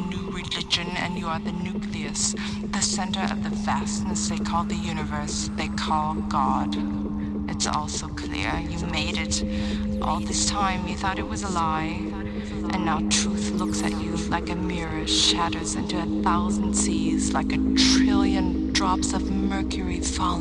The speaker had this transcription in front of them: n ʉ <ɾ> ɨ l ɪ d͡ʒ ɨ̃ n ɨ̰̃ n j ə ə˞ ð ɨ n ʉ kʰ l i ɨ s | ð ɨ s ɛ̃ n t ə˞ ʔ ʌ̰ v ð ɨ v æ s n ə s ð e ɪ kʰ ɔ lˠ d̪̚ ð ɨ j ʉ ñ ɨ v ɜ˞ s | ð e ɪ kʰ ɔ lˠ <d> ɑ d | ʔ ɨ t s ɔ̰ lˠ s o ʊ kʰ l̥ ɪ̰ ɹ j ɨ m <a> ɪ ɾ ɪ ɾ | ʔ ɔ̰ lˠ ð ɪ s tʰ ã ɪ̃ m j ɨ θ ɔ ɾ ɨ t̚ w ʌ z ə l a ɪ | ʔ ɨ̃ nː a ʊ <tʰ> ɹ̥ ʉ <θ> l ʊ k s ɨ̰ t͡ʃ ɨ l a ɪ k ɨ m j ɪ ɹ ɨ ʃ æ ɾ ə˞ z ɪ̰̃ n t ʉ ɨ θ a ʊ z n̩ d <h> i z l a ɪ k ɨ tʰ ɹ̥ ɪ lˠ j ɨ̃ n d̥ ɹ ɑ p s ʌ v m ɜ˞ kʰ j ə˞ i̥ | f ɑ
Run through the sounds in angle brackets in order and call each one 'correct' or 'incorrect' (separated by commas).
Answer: incorrect, incorrect, incorrect, correct, correct, incorrect